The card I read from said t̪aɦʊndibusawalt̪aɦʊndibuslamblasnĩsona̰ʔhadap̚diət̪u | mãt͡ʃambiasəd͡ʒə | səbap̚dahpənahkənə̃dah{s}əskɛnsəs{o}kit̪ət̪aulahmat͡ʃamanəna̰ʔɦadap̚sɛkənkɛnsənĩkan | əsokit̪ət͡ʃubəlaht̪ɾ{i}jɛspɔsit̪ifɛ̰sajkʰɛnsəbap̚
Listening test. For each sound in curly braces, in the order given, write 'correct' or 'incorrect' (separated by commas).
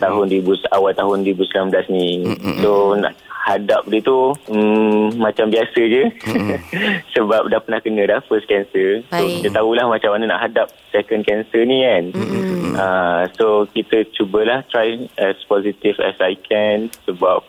incorrect, correct, incorrect